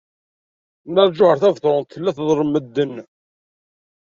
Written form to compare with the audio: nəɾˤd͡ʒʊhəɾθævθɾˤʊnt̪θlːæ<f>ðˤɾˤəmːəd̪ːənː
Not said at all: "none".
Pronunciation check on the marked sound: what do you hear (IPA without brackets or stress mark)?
θ